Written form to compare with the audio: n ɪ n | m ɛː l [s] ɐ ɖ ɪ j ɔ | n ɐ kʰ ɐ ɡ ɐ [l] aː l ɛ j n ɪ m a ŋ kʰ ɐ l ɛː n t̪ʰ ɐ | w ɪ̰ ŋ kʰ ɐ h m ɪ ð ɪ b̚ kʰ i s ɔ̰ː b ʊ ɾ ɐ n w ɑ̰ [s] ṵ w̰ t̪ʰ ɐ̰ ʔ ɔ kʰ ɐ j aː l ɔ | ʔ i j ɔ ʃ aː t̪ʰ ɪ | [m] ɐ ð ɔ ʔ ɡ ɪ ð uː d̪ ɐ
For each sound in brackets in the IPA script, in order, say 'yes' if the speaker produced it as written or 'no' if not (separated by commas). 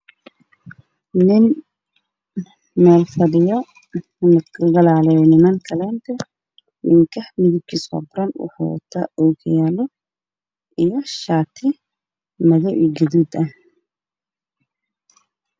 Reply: no, yes, no, yes